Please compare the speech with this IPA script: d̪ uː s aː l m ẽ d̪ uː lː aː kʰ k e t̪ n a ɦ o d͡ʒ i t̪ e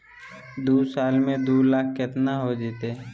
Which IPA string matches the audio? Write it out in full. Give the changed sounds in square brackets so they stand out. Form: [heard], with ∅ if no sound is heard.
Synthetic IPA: d̪ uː s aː l m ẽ d̪ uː [l] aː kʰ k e t̪ n a ɦ o d͡ʒ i t̪ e